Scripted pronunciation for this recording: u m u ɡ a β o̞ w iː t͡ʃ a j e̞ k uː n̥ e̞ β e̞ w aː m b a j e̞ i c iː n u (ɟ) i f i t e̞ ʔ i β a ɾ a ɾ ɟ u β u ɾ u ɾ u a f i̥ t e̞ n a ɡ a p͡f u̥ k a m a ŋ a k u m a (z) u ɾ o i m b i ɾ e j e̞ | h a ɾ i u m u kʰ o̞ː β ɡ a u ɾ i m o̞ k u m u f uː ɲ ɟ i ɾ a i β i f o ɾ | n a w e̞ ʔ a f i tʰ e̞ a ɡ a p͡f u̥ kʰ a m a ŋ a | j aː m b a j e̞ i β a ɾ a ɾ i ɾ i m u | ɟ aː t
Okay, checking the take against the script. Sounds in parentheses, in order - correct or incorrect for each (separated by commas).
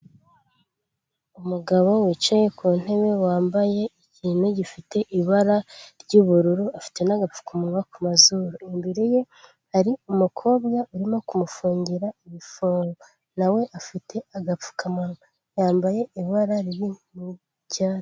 correct, correct